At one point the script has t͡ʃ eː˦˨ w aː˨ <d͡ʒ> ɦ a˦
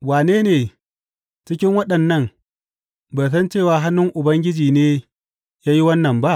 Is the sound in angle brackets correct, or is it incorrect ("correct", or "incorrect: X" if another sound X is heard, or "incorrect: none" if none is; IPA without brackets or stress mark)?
incorrect: none